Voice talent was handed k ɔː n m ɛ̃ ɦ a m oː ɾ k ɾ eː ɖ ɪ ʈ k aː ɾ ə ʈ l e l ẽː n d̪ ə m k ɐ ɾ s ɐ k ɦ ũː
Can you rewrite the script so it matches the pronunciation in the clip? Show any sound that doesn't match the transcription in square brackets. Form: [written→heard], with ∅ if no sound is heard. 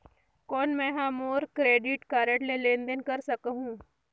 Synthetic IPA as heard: k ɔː n m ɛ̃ ɦ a m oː ɾ k ɾ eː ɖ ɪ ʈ k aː ɾ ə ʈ l e l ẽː n d̪ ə [m→n] k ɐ ɾ s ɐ k ɦ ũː